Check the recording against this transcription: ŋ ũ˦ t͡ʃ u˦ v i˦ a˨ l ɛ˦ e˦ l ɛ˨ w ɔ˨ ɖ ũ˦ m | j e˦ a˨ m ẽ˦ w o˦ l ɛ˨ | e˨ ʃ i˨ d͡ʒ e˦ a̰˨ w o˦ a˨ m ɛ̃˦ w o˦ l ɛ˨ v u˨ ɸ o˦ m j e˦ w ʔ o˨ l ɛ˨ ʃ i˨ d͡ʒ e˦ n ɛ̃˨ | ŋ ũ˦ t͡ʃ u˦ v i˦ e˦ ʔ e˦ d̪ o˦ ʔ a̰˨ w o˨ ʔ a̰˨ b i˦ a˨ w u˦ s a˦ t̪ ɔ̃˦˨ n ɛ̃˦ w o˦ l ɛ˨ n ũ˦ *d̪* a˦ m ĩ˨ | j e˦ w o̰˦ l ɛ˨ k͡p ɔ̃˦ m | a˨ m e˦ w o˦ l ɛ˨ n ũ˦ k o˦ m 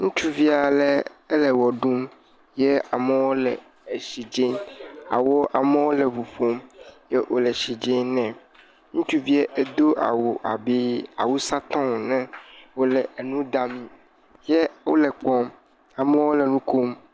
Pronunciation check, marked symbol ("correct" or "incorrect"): correct